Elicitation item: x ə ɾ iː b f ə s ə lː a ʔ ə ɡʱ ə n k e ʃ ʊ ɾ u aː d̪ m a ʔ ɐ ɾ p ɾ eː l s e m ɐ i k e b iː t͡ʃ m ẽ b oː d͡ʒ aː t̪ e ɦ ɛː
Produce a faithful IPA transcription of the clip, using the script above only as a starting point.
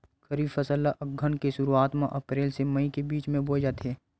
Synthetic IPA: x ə ɾ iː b f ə s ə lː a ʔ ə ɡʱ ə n k e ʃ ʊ ɾ u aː t̪ m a ʔ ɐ p ɾ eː l s e m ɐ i k e b iː t͡ʃ m ẽ b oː d͡ʒ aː t̪ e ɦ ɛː